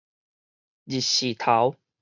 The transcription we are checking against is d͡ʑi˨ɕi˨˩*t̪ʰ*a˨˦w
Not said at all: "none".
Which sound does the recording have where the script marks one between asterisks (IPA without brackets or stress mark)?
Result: t̪ʰ